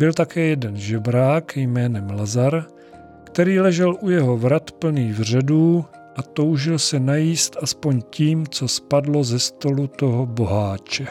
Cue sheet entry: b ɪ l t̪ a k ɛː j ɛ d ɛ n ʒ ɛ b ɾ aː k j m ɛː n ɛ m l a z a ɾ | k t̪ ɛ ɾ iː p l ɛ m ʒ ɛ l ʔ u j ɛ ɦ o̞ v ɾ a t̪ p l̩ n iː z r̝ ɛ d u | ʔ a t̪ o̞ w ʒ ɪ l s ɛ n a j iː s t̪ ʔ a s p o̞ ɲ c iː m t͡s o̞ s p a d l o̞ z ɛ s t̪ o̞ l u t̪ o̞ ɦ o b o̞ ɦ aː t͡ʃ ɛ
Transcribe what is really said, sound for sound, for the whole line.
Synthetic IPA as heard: b ɪ l t̪ a k ɛː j ɛ d ɛ n ʒ ɛ b ɾ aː k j m ɛː n ɛ m l a z a ɾ | k t̪ ɛ ɾ iː l ɛ ʒ ɛ l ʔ u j ɛ ɦ o̞ v ɾ a t̪ p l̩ n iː v r̝ ɛ d uː | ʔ a t̪ o̞ w ʒ ɪ l s ɛ n a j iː s t̪ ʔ a s p o̞ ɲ c iː m t͡s o̞ s p a d l o̞ z ɛ s t̪ o̞ l u t̪ o̞ ɦ o b o̞ ɦ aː t͡ʃ ɛ